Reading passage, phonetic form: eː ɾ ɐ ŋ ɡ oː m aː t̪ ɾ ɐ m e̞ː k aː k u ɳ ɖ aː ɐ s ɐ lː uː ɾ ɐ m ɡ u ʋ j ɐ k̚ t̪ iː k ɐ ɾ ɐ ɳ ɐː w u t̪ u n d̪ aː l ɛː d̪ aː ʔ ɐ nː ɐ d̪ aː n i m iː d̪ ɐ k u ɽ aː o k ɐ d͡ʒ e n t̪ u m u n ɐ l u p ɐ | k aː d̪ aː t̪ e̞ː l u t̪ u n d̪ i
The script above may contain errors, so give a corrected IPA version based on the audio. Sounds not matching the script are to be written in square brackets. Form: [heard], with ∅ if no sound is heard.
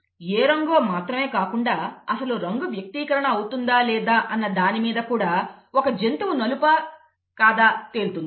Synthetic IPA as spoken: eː ɾ ɐ ŋ ɡ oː m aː t̪ ɾ ɐ m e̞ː k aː k u ɳ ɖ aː ɐ s ɐ [l] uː ɾ ɐ [ŋ] ɡ u ʋ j ɐ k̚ t̪ iː k ɐ ɾ ɐ ɳ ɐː w u t̪ u n d̪ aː l ɛː d̪ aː ʔ ɐ nː ɐ d̪ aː n i m iː d̪ ɐ k [uː] ɽ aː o k ɐ d͡ʒ e n t̪ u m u n ɐ l u p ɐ | k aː d̪ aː t̪ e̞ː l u t̪ u n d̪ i